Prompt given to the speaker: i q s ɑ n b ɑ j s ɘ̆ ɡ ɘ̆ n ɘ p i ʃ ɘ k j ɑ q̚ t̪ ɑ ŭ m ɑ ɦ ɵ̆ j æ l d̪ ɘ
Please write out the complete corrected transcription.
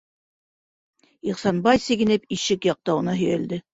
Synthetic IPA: i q s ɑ n b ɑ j s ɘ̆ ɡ ɘ̆ n ɘ p i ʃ ɘ k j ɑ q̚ t̪ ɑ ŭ n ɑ ɦ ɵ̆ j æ l d̪ ɘ